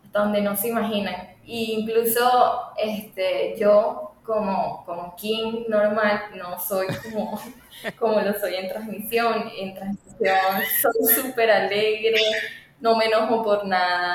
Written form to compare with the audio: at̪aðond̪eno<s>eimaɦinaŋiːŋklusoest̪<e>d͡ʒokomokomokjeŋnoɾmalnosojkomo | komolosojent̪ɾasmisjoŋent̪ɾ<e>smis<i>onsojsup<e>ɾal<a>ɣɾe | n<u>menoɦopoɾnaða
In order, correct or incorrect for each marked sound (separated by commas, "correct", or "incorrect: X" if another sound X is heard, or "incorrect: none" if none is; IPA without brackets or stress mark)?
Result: correct, correct, incorrect: a, incorrect: j, correct, incorrect: e, incorrect: o